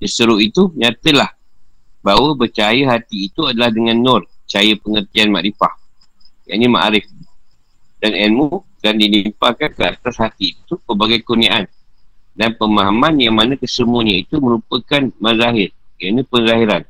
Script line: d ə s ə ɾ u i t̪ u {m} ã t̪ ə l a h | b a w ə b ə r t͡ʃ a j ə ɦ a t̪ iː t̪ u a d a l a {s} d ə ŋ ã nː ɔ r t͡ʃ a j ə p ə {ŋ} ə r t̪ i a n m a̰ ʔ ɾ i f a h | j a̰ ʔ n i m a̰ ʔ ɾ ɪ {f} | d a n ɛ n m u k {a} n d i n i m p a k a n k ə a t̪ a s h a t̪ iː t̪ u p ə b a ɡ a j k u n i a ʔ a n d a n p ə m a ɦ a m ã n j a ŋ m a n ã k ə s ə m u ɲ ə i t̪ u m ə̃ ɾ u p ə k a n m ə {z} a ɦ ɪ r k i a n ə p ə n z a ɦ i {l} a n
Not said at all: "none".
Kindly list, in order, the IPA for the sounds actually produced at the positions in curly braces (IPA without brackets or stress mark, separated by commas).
ɲ, h, ŋ, f, a, z, ɾ